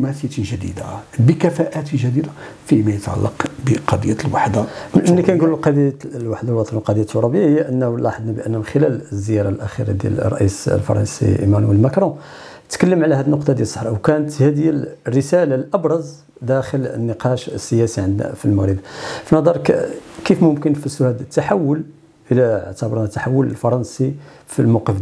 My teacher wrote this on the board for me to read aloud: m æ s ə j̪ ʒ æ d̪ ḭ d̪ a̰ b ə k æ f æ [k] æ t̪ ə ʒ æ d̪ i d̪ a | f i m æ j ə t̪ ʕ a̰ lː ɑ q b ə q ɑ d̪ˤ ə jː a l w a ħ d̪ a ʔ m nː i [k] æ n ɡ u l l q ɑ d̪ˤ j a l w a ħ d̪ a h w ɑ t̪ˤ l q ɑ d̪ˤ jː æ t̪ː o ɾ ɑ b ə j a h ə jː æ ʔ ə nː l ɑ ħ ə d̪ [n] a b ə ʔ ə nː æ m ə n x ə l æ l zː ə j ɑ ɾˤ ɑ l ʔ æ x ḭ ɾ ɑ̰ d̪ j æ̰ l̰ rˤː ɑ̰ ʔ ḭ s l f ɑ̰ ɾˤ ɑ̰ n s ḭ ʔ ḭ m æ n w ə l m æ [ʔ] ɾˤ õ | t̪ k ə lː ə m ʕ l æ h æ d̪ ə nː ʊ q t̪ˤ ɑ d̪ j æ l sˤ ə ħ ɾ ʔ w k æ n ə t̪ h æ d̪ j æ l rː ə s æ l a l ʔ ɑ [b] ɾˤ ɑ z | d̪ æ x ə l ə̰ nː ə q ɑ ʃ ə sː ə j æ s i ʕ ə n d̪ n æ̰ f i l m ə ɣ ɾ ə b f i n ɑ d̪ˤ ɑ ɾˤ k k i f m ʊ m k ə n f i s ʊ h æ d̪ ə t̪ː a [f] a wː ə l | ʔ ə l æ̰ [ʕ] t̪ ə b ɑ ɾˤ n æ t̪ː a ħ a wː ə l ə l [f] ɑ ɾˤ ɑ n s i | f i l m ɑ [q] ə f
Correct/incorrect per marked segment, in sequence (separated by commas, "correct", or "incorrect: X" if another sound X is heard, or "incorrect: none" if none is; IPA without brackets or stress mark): incorrect: ʔ, correct, correct, incorrect: k, correct, incorrect: ħ, correct, correct, correct